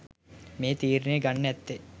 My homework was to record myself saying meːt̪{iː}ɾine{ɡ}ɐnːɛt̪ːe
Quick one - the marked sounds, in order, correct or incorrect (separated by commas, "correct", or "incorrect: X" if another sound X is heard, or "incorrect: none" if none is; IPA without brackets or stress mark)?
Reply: correct, correct